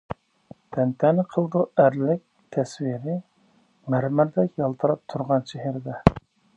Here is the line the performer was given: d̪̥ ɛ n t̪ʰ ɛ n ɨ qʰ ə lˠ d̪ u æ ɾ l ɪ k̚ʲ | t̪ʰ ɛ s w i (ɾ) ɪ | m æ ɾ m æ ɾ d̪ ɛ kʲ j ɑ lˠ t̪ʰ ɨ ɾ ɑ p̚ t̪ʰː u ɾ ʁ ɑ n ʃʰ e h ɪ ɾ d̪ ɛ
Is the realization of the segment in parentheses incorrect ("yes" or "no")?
no